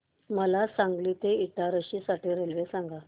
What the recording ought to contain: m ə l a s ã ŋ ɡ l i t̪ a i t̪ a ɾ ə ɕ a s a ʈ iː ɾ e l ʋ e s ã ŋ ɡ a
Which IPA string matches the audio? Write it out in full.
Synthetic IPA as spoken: m ə l a s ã ŋ ɡ l i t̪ e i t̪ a ɾ ə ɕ i s a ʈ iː ɾ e l ʋ e s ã ŋ ɡ a